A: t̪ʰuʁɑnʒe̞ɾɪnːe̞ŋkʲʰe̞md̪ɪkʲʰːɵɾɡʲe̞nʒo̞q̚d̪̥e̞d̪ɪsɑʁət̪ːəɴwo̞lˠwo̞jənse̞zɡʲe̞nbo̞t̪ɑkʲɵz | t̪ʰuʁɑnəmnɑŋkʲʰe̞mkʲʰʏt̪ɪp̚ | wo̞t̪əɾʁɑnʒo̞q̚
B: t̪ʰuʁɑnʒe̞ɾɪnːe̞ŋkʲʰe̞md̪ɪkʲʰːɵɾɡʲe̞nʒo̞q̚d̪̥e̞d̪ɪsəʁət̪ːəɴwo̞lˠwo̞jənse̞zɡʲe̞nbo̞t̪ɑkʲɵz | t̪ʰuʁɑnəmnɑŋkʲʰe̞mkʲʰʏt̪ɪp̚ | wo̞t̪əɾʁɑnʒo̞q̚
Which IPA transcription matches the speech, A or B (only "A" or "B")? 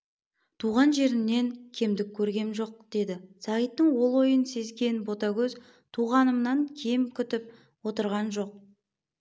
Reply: A